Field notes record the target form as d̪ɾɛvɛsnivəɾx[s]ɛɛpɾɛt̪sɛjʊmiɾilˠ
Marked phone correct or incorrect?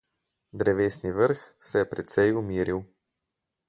correct